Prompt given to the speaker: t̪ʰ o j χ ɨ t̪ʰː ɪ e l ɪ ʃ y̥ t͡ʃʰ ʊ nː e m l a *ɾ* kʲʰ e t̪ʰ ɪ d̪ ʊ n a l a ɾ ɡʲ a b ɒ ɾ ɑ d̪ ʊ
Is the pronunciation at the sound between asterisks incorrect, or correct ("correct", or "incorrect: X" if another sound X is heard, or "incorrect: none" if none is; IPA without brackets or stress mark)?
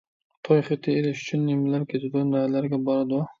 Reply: correct